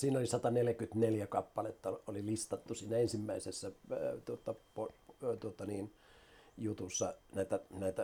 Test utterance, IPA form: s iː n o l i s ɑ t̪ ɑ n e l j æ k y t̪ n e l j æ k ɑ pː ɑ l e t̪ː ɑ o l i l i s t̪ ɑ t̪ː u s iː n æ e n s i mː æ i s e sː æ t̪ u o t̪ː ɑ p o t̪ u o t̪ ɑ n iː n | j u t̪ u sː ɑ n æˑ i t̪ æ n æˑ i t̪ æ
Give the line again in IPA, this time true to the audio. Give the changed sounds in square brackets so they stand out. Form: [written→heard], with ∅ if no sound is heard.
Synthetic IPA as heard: s iː n o l i s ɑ t̪ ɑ n e l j æ k y t̪ n e l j æ k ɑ pː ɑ l e t̪ː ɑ o l i l i s t̪ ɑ t̪ː u s iː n æ e n s i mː æ i s e sː æ t̪ u o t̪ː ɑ p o t̪ u o t̪ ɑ n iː n | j u t̪ u sː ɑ n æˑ i t̪ æ n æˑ i t̪ æ